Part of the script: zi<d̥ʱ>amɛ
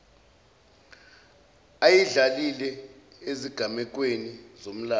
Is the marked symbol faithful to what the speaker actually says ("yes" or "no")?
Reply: no